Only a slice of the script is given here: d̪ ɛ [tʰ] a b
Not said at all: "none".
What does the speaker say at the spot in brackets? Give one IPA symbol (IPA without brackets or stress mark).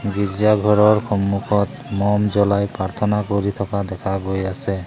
kʰ